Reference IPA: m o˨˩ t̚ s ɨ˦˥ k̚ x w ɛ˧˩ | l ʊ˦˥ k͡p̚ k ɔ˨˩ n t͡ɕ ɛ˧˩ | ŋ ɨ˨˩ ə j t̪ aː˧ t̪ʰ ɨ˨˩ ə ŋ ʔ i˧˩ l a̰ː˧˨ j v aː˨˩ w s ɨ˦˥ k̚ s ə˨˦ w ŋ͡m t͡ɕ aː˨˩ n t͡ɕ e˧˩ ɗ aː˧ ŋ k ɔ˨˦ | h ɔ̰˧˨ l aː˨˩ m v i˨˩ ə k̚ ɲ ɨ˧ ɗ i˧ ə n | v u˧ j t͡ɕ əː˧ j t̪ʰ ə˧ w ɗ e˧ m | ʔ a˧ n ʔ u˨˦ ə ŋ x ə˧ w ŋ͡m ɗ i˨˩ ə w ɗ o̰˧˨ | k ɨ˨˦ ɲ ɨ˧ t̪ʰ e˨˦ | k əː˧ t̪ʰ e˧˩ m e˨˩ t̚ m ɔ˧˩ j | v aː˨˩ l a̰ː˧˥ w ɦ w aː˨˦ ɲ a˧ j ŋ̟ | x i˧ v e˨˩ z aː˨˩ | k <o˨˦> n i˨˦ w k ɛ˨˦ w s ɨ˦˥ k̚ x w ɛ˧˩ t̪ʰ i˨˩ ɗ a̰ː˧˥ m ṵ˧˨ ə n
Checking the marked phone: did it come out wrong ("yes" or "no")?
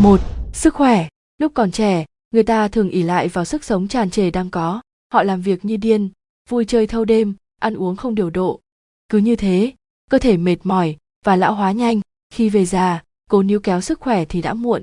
no